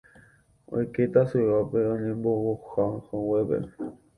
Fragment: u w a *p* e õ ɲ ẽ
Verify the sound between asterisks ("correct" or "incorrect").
correct